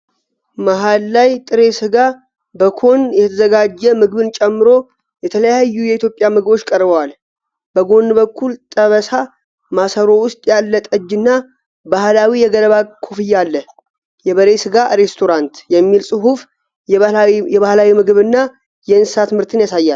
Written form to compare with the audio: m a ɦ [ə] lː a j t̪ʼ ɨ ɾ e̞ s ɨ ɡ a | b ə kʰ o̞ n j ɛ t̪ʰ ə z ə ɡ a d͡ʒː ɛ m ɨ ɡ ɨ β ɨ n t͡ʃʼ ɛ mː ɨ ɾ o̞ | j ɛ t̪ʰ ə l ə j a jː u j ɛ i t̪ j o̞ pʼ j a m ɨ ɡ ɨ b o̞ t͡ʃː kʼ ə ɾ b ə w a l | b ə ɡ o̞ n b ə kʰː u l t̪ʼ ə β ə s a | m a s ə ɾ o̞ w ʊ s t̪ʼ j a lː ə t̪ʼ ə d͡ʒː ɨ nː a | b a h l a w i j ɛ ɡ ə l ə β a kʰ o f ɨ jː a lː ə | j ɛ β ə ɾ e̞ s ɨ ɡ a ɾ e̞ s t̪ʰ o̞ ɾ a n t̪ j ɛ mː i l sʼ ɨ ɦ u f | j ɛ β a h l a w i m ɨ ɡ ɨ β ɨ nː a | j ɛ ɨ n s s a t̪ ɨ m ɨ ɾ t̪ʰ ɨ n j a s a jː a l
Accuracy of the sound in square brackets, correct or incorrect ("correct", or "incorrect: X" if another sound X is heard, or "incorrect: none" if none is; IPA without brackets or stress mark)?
incorrect: a